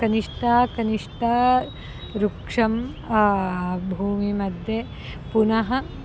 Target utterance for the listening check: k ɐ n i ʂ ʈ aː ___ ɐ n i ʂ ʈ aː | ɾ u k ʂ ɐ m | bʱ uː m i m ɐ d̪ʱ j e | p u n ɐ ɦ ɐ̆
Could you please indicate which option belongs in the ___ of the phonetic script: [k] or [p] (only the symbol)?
k